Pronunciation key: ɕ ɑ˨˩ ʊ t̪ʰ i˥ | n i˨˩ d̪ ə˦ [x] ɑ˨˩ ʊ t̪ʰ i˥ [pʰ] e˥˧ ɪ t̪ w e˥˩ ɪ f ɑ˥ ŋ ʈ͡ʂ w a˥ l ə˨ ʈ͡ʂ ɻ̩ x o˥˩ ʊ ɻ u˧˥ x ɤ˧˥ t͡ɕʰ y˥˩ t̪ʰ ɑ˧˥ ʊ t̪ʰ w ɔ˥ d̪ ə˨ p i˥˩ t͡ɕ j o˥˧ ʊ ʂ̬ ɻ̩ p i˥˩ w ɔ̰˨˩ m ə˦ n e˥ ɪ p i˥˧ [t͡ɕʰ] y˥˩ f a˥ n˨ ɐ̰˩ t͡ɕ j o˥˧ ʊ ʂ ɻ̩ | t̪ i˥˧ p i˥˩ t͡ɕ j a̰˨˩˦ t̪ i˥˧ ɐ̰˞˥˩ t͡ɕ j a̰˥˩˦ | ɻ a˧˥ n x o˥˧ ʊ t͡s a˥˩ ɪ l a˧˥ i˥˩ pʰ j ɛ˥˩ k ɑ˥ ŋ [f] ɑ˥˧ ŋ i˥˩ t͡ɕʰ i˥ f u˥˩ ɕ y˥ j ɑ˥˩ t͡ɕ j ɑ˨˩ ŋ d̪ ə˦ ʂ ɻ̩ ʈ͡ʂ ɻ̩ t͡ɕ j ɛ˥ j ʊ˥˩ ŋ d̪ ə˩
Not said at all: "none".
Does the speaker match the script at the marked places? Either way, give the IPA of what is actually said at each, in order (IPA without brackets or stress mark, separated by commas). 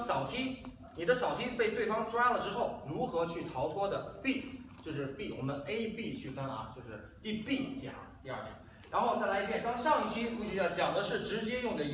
ɕ, p, t͡ɕʰ, ʂ